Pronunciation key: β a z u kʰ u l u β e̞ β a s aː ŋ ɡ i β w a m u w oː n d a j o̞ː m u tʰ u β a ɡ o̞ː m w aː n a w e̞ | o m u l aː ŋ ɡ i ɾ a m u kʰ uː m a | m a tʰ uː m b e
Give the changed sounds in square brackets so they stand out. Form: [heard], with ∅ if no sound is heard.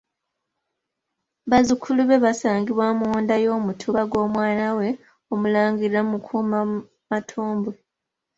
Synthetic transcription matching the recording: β a z u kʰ u l u β e̞ β a s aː ŋ ɡ i β w a m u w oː n d a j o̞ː m u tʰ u β a ɡ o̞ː m w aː n a w e̞ | o m u l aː ŋ ɡ i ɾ a m u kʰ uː m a | m a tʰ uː m b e